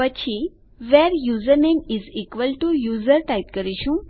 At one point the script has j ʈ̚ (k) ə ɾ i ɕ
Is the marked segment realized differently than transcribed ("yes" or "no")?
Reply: no